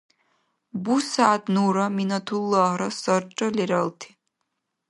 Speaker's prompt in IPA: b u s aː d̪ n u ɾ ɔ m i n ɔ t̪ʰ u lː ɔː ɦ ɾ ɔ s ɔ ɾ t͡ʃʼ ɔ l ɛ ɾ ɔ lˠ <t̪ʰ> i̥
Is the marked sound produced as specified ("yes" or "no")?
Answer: yes